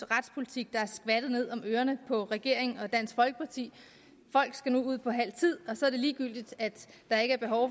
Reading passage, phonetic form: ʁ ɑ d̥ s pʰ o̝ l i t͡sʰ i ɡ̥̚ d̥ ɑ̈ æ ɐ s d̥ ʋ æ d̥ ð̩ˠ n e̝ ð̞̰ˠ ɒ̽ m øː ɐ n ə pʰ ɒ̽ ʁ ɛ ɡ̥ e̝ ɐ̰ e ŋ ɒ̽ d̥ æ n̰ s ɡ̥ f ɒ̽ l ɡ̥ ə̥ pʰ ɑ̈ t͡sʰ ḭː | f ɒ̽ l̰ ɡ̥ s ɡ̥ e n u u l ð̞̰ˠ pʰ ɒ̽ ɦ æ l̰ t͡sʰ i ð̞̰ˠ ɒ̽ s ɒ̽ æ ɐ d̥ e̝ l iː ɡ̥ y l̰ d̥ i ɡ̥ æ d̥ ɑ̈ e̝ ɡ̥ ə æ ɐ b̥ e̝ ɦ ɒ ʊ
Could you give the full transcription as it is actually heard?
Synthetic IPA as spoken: ʁ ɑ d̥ s pʰ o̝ l i t͡sʰ i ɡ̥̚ d̥ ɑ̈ æ ɐ s ɡ̥ ʋ æ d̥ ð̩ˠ n e̝ ð̞̰ˠ ɒ̽ m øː ɐ n ə pʰ ɒ̽ ʁ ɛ ɡ̥ e̝ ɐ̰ e ŋ ɒ̽ d̥ æ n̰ s ɡ̥ f ɒ̽ l ɡ̥ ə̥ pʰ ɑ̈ t͡sʰ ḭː | f ɒ̽ l̰ ɡ̥ s ɡ̥ æ n u u ð̞̰ˠ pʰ ɒ̽ ɦ æ l̰ t͡sʰ i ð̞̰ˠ ɒ̽ s ɒ̽ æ ɐ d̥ e̝ l iː ɡ̥ y l̰ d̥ i d̥ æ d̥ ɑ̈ e̝ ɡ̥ ə æ ɐ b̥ e̝ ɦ ɒ ʊ